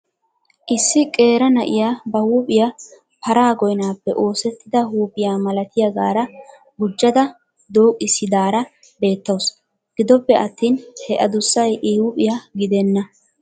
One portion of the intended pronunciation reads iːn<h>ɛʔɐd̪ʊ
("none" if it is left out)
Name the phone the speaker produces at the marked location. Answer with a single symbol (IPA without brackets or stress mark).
h